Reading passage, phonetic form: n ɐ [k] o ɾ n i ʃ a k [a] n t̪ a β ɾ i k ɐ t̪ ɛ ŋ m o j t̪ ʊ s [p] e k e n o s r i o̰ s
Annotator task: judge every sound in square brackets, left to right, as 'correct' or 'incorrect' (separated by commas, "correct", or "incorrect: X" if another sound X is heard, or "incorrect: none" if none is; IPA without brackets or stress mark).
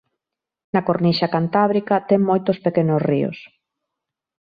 correct, correct, correct